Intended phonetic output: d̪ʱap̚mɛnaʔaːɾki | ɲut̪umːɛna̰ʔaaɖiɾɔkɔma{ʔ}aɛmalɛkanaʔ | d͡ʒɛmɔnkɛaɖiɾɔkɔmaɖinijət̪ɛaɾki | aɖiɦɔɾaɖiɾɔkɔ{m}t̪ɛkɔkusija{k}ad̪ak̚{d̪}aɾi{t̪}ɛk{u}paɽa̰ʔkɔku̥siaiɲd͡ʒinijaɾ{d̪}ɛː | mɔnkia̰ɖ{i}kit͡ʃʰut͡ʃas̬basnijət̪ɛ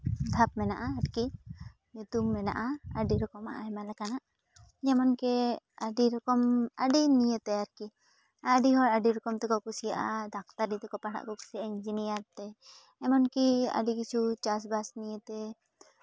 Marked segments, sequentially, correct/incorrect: correct, correct, incorrect: ʔ, incorrect: t̪, correct, incorrect: ɔ, incorrect: t̪, correct

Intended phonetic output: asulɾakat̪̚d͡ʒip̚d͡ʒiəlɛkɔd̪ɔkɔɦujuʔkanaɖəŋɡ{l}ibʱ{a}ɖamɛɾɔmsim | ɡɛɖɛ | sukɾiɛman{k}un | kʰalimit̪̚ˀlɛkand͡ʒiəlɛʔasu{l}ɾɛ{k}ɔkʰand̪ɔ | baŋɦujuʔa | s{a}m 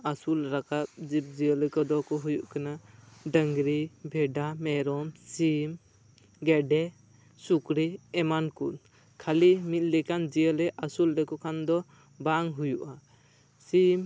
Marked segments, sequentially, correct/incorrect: incorrect: ɾ, incorrect: ɛ, correct, correct, correct, incorrect: i

